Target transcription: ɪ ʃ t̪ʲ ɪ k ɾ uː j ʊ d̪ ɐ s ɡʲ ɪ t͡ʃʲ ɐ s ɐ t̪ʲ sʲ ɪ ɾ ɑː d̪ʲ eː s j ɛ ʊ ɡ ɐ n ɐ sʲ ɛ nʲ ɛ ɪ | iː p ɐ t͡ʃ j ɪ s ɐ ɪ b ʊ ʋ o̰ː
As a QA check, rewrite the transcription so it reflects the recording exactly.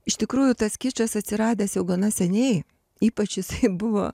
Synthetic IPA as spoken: ɪ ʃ t̪ʲ ɪ k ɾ uː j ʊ t̪ ɐ s kʲ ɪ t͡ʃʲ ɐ s ɐ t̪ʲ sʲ ɪ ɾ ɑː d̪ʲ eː s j ɛ ʊ ɡ ɐ n ɐ sʲ ɛ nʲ ɛ ɪ | iː p ɐ t͡ʃ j ɪ s ɐ ɪ b ʊ ʋ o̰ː